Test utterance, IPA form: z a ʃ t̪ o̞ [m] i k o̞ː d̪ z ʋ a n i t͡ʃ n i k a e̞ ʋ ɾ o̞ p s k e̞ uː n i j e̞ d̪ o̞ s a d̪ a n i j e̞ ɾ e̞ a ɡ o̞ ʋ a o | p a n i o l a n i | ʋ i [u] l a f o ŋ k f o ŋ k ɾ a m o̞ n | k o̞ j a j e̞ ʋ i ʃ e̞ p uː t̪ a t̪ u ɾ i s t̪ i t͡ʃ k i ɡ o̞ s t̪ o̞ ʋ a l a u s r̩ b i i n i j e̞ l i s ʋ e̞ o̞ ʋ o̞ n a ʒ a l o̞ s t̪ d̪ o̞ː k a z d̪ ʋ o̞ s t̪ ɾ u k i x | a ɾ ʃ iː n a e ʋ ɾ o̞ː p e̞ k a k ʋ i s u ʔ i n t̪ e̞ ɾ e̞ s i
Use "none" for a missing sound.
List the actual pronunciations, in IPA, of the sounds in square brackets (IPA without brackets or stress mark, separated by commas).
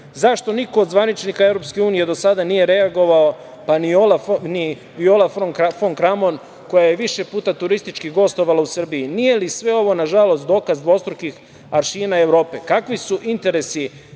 n, o